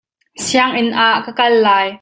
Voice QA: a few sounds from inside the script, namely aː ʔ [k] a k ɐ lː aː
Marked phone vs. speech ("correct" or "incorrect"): correct